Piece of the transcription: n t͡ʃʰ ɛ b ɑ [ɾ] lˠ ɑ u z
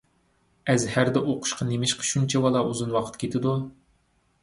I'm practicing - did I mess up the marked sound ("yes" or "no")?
yes